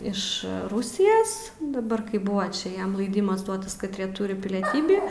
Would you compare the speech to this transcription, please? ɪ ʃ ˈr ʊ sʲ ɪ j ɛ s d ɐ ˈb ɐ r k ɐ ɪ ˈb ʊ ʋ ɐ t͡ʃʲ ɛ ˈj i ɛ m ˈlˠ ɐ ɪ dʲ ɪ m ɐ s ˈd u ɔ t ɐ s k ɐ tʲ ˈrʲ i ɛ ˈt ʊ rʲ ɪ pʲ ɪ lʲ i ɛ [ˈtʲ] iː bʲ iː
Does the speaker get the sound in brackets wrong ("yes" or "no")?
no